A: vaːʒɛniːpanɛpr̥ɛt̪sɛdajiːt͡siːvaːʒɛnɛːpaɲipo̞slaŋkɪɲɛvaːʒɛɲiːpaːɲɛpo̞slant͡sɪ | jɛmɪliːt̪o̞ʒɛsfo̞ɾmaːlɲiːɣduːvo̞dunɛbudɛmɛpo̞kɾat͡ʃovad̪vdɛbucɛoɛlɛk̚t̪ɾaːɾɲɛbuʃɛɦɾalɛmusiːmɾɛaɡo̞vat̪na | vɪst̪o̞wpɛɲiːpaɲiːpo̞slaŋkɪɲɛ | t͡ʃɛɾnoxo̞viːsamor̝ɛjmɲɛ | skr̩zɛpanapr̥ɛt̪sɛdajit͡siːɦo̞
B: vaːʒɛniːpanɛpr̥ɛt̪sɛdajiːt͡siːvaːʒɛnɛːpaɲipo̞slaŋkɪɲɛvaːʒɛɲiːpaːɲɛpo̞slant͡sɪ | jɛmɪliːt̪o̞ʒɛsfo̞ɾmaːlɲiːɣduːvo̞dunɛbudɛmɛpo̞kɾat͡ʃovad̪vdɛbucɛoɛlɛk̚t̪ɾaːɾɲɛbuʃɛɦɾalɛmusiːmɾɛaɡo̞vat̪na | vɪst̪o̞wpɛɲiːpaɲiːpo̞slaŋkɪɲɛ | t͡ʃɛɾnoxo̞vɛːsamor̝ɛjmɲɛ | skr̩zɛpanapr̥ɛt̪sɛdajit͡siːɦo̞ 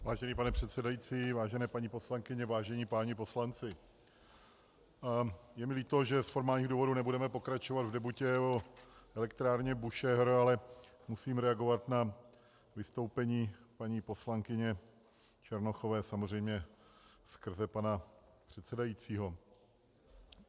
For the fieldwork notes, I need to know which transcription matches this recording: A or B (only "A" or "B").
B